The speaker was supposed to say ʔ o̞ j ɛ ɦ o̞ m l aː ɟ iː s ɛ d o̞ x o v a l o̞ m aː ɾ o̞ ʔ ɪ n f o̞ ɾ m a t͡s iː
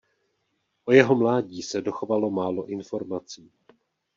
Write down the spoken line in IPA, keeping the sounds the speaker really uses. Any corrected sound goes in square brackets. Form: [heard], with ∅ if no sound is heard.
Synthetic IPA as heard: ʔ o̞ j ɛ ɦ o̞ m l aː ɟ iː s ɛ d o̞ x o v a l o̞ m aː [l] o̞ ʔ ɪ n f o̞ ɾ m a t͡s iː